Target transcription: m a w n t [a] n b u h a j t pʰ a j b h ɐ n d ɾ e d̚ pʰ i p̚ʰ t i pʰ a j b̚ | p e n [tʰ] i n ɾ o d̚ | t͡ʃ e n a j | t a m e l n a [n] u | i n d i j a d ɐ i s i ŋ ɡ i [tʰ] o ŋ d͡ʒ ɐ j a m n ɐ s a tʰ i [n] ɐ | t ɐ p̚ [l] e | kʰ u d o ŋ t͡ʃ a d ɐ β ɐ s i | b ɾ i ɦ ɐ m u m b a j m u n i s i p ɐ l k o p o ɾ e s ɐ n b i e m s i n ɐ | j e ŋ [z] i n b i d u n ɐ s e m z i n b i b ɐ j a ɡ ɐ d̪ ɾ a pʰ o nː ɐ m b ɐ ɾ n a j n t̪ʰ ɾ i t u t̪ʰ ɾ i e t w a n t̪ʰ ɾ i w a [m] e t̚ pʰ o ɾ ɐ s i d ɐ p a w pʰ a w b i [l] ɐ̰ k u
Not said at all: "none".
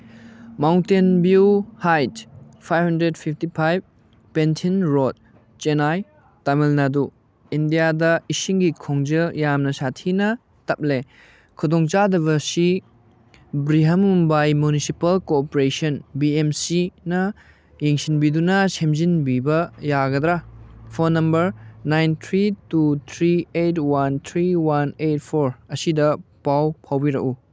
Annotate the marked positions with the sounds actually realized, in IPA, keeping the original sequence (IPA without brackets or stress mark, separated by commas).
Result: e, tʰ, d, kʰ, n, l, s, n, ɾ